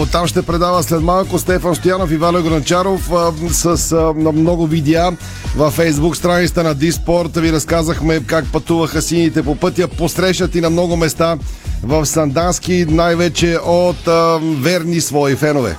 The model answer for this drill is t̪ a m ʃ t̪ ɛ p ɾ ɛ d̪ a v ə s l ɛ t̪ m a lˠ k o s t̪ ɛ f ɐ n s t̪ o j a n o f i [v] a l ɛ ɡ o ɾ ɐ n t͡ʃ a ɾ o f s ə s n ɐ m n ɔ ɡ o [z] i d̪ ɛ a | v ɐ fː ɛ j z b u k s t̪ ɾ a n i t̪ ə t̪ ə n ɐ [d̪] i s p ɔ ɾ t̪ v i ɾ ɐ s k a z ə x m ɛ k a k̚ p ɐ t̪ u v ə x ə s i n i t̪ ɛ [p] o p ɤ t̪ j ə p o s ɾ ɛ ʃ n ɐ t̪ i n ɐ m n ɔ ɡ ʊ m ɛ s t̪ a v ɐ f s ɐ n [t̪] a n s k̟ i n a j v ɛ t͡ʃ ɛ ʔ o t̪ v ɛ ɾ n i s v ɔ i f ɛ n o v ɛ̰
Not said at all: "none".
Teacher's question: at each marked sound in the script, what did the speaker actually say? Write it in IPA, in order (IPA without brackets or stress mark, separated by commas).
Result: v, v, d̪, p, d̪